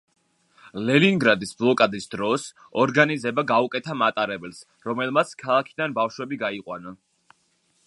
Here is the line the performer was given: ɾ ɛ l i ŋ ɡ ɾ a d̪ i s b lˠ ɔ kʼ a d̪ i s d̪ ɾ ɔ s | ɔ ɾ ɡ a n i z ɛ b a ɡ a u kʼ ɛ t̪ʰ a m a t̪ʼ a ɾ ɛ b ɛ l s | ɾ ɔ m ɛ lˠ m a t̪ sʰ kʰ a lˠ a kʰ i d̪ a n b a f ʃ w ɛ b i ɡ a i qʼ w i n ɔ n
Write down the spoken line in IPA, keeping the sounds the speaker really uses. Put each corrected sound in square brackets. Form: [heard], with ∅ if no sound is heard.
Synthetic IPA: [l] ɛ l i ŋ ɡ ɾ a d̪ i s b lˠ ɔ kʼ a d̪ i s d̪ ɾ ɔ s | ɔ ɾ ɡ a n i z ɛ b a ɡ a u kʼ ɛ t̪ʰ a m a t̪ʼ a ɾ ɛ b ɛ l s | ɾ ɔ m ɛ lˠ m a t̪ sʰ kʰ a lˠ a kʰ i d̪ a n b a f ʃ w ɛ b i ɡ a i qʼ w [a] n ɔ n